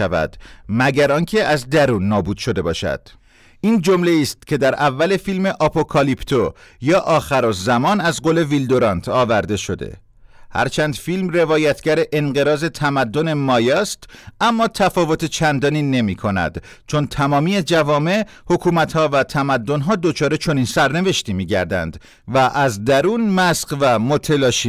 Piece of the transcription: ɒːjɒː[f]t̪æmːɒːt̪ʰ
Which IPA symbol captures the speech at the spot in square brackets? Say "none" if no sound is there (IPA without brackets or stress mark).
s